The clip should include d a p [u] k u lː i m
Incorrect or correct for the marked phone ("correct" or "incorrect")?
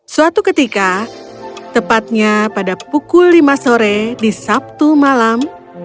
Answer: correct